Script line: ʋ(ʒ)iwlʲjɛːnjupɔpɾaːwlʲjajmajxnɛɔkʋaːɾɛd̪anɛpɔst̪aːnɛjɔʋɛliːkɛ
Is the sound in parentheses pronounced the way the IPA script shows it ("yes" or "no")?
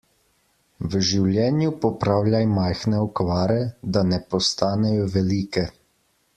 yes